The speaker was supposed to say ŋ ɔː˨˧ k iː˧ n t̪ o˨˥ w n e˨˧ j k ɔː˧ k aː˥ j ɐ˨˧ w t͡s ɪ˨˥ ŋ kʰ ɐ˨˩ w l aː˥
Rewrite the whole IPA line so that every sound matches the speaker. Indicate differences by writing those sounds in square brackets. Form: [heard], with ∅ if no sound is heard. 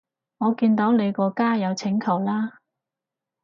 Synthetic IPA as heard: ŋ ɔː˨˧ k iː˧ n t̪ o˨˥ w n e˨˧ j k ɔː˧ k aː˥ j ɐ˨˧ w [t͡sʰ] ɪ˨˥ ŋ kʰ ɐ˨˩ w l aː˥